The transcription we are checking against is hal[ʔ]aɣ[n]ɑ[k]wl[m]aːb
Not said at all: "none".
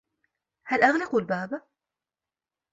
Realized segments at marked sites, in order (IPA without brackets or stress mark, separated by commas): ʔ, n, q, b